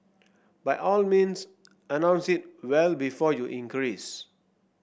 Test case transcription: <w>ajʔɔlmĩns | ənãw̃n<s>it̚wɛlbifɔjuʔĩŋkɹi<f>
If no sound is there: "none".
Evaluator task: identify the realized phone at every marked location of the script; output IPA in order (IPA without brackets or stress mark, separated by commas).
b, s, s